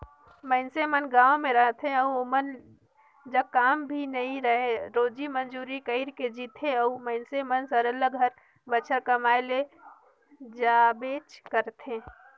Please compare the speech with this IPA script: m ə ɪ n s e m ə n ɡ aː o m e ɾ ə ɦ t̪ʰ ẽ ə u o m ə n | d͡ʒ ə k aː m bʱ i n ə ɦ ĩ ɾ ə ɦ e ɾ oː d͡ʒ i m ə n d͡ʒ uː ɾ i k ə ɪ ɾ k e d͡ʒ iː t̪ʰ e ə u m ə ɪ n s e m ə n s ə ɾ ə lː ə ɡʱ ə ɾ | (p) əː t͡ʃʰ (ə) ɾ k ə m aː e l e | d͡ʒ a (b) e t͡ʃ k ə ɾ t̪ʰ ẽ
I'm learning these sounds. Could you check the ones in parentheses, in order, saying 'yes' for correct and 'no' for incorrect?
no, yes, yes

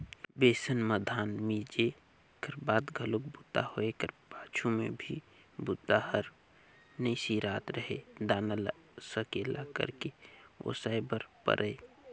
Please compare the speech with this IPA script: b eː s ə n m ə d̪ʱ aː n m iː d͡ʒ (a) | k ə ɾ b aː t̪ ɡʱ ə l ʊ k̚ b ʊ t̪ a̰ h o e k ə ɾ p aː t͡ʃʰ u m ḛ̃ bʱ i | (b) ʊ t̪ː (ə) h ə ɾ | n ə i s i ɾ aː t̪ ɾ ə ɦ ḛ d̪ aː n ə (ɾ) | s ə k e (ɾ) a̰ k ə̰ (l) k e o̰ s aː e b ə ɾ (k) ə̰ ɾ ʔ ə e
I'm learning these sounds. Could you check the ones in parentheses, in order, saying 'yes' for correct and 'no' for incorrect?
no, yes, no, no, no, no, no

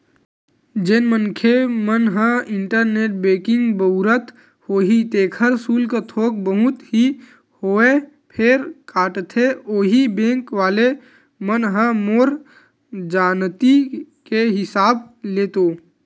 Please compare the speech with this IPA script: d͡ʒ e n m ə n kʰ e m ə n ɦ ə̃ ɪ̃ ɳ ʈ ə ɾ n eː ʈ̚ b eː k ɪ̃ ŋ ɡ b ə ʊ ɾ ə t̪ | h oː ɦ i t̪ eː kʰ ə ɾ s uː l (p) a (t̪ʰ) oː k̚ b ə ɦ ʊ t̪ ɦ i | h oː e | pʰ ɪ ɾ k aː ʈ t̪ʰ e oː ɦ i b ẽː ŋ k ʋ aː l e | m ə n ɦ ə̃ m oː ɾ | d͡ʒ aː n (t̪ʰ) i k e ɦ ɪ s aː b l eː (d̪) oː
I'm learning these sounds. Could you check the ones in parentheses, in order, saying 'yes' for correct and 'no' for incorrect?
no, yes, no, no

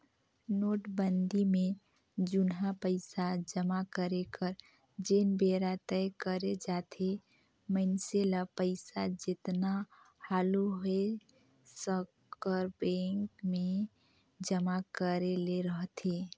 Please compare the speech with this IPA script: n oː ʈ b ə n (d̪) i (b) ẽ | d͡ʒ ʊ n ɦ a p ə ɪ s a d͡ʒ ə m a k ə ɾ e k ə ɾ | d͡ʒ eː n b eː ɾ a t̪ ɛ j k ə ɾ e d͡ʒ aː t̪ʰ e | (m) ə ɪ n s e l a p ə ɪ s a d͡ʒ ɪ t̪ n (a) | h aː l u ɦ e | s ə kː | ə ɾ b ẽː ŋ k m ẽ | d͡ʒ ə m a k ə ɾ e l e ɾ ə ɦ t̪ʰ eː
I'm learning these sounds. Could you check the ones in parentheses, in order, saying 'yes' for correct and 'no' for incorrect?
yes, no, yes, yes

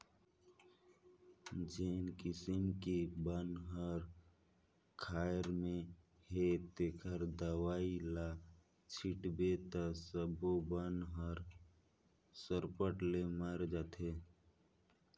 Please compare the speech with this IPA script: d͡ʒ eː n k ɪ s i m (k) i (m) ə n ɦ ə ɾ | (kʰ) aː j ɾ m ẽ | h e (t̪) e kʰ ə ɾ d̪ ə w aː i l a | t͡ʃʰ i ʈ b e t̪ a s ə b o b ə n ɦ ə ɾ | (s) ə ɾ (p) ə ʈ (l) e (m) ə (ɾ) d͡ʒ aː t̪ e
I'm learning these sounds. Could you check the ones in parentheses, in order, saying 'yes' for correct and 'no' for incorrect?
yes, no, yes, yes, yes, yes, yes, yes, yes

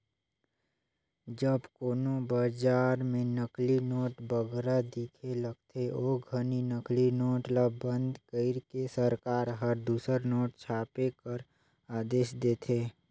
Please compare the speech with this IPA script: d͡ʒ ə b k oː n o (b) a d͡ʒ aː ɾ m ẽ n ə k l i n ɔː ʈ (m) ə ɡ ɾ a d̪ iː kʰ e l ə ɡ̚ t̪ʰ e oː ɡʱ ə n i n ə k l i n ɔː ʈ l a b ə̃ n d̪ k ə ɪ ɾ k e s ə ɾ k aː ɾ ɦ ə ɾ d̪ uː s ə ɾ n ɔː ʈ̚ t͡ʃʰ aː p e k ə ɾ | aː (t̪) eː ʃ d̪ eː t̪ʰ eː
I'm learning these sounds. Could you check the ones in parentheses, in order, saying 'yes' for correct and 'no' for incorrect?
yes, no, no

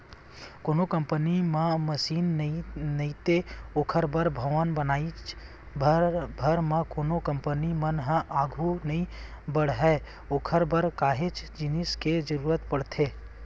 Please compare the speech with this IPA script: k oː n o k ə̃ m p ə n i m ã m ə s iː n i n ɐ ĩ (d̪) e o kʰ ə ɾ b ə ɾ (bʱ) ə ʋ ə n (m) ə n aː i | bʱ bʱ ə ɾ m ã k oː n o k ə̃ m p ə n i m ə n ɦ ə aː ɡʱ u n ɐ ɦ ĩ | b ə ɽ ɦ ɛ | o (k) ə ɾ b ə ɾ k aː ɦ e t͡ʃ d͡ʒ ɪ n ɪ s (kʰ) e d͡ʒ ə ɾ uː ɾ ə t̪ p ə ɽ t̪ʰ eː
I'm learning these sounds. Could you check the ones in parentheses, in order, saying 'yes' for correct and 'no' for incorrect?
no, yes, no, no, no

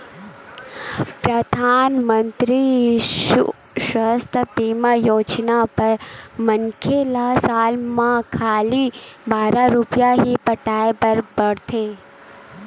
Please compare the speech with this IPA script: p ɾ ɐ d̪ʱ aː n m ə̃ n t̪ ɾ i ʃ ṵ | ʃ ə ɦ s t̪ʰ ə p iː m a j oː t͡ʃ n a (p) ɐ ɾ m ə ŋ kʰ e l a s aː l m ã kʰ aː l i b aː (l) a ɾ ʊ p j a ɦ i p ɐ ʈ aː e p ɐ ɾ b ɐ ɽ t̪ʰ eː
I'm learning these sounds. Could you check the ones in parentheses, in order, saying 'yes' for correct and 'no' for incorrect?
yes, no

